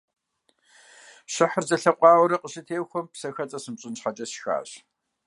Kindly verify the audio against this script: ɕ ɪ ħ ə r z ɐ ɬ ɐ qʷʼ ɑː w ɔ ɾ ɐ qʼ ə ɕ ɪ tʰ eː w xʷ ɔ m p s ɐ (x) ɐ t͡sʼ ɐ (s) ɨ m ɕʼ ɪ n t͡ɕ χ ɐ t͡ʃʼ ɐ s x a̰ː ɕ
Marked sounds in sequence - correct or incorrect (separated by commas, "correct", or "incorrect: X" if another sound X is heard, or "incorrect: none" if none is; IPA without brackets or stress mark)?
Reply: correct, correct